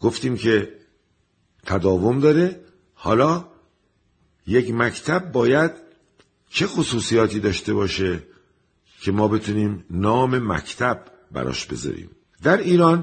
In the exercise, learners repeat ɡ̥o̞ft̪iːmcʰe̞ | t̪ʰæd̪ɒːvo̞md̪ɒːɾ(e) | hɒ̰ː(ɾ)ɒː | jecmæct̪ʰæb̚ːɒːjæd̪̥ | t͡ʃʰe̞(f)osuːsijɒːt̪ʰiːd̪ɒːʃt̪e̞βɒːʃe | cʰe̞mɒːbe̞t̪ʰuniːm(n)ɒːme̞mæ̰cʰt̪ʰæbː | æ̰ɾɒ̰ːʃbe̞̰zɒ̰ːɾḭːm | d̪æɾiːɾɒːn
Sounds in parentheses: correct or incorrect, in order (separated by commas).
correct, incorrect, incorrect, correct